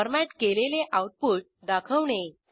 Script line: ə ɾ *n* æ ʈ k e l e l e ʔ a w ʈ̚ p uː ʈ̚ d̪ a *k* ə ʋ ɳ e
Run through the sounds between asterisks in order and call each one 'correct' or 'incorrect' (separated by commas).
incorrect, incorrect